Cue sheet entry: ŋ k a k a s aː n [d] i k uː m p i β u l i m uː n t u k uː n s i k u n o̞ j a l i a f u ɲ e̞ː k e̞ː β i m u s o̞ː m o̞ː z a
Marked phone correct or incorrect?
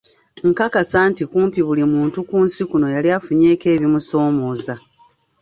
incorrect